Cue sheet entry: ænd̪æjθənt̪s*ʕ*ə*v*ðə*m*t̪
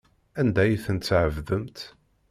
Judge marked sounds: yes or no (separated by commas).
yes, yes, yes